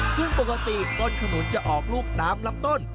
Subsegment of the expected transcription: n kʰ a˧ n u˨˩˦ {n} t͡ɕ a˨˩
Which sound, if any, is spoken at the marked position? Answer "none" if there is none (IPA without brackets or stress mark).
n